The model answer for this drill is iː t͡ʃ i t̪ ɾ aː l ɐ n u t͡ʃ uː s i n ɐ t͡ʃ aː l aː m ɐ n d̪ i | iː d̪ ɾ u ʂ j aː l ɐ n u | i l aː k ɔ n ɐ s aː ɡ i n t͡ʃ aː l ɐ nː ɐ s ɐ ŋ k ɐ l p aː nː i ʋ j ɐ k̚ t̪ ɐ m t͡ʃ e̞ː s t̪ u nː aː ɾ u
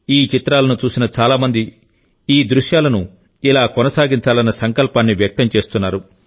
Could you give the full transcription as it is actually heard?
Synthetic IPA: iː t͡ʃ i t̪ ɾ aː l ɐ n u t͡ʃ uː s i n ɐ t͡ʃ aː l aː m ɐ n d̪ i | iː d̪ ɾ u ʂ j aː l ɐ n u | i l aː k ɔ n ɐ s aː ɡ i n t͡ʃ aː l ɐ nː ɐ s ɐ ŋ k ɐ l p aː nː i ʋ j ɐ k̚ t̪ ɐ m t͡ʃ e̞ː s t̪ u nː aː ɾ u